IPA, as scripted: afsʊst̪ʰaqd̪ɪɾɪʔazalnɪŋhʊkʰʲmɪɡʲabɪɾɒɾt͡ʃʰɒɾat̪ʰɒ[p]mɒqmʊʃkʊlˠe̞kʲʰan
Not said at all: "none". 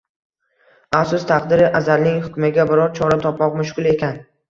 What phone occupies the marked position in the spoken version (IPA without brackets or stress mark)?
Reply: p